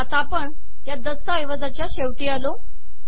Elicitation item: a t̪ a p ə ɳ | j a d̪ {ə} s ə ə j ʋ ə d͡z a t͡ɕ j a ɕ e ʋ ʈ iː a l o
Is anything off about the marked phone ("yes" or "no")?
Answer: no